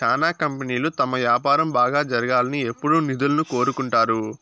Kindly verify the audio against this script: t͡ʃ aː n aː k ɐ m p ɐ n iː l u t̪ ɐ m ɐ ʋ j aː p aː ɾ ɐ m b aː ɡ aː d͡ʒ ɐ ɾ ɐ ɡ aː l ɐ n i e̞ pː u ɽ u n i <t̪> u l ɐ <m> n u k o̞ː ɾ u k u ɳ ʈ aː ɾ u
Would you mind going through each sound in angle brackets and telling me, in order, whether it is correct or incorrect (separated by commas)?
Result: incorrect, incorrect